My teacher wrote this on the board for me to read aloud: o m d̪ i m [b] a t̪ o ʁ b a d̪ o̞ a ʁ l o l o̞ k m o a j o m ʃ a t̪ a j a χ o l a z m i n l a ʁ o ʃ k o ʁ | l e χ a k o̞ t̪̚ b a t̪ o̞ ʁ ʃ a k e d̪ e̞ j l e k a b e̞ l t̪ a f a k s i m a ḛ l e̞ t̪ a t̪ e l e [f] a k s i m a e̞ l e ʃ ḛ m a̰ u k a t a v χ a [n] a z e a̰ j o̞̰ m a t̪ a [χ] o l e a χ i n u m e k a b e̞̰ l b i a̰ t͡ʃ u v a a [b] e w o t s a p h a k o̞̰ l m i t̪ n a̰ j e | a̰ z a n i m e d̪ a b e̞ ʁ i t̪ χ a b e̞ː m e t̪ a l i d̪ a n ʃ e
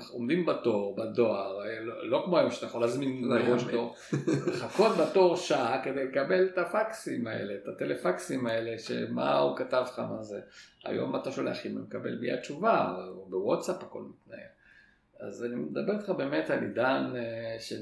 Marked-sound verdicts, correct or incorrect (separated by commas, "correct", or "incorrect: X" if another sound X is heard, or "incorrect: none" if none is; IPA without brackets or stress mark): correct, correct, incorrect: m, incorrect: ʃ, correct